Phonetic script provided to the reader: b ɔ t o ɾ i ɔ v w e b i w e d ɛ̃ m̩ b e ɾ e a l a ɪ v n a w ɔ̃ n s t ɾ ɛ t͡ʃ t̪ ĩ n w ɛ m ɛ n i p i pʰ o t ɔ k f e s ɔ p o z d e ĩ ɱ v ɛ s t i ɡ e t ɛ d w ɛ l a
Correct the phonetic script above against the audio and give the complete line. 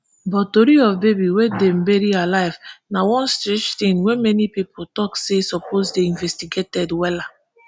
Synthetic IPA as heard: b ɔ t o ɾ i ɔ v b e b i w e d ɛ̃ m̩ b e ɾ i a l a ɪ v n a w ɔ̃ n s t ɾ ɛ t͡ʃ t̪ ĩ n w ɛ m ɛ n i p i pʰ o t ɔ k s e s ɔ p o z d e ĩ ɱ v ɛ s t i ɡ e t ɛ d w ɛ l a